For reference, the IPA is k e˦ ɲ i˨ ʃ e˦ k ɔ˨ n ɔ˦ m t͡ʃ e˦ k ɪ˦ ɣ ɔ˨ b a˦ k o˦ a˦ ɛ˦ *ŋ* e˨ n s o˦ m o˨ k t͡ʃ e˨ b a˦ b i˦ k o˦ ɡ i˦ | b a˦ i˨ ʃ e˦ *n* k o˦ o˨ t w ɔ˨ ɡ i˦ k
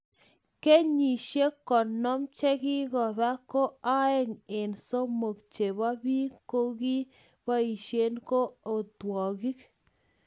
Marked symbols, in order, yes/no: yes, yes

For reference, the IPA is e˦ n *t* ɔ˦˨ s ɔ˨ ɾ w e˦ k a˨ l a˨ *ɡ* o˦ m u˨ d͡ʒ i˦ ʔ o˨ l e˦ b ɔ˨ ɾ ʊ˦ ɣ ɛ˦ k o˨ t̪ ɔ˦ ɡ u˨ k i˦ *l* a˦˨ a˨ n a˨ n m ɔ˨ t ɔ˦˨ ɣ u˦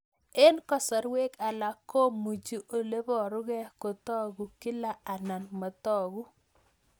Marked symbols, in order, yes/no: no, no, yes

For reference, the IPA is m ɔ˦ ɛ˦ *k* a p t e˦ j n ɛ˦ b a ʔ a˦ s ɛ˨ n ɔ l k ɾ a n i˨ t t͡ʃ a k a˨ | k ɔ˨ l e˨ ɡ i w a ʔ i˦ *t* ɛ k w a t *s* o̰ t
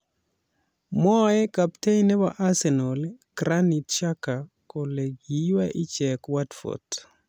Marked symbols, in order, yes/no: yes, no, no

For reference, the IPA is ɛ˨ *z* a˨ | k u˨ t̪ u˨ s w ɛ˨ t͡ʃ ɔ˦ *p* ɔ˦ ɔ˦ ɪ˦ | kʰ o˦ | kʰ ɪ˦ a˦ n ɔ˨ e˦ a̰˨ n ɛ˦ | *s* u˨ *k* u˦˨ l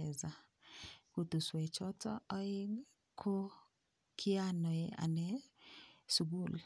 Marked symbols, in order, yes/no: yes, no, yes, no

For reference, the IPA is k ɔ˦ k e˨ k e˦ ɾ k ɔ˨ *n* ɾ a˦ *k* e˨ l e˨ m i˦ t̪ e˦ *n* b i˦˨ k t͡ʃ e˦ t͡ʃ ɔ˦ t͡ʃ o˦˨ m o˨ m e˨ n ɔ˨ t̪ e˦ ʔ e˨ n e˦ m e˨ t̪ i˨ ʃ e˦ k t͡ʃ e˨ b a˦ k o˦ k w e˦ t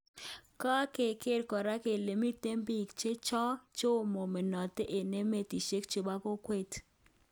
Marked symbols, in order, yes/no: no, yes, no

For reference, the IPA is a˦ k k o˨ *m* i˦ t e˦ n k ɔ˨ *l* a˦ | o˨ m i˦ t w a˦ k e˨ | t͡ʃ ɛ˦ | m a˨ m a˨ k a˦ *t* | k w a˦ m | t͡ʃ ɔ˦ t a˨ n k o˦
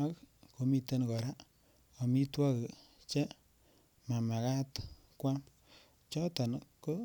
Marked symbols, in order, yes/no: yes, no, yes

